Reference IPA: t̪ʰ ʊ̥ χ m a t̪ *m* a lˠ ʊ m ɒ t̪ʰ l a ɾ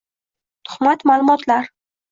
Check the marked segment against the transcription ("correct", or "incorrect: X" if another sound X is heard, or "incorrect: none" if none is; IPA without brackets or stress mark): correct